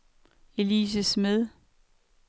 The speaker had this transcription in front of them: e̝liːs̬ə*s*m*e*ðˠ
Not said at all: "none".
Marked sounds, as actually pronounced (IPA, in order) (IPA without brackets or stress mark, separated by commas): s, e